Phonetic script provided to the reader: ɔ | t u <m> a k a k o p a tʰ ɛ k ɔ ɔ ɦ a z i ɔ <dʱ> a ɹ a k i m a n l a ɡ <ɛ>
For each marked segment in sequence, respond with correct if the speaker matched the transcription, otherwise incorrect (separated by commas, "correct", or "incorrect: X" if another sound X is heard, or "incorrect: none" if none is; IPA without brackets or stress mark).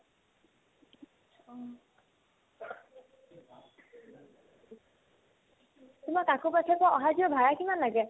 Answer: correct, incorrect: bʱ, correct